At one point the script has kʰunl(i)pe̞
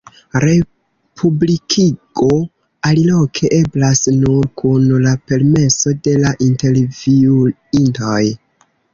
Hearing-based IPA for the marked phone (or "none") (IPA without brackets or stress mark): a